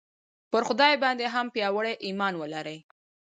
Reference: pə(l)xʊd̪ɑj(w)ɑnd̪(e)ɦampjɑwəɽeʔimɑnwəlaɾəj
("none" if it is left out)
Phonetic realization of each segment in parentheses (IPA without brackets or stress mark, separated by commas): ɾ, b, e